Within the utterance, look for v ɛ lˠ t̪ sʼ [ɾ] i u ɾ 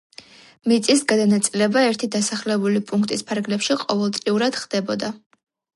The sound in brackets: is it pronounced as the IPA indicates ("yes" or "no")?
no